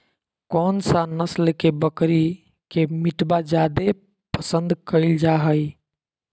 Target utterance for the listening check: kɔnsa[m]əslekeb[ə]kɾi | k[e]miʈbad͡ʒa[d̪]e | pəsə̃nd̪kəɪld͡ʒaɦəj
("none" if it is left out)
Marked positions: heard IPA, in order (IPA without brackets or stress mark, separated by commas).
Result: n, ə, e, d̪